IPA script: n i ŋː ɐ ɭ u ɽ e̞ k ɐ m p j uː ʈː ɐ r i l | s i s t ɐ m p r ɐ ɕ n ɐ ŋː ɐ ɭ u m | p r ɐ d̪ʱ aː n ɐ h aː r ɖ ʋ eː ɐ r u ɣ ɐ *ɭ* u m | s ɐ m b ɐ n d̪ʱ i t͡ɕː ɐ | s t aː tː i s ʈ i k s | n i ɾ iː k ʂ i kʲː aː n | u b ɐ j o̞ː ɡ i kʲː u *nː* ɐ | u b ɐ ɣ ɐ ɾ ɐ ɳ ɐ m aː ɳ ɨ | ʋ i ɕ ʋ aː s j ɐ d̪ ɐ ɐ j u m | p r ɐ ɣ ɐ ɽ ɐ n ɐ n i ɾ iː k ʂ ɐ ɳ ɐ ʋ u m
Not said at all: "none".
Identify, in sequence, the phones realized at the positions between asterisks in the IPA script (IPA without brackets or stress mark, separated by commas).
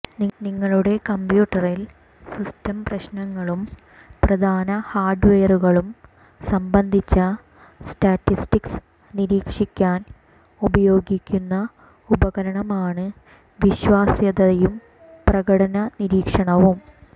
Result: ɭ, nː